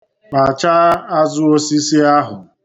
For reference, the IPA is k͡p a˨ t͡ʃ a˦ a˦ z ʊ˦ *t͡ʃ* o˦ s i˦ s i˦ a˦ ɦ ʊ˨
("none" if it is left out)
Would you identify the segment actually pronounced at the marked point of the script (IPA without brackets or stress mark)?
none